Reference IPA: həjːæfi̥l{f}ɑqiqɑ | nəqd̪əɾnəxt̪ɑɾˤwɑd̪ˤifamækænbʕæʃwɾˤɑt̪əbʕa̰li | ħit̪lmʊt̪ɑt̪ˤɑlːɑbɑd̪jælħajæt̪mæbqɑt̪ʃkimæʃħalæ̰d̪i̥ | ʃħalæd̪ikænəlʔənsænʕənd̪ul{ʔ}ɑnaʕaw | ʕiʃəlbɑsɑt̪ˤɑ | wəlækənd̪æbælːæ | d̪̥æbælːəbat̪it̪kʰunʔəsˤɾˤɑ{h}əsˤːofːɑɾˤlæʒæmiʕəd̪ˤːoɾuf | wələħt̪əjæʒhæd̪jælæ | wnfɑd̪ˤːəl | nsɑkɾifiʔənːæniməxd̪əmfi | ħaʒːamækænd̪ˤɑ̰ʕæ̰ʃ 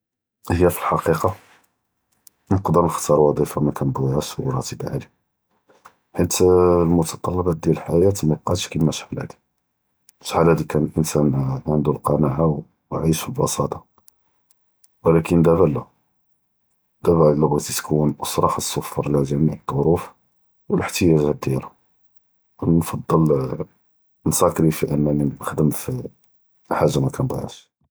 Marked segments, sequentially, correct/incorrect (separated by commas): incorrect, incorrect, incorrect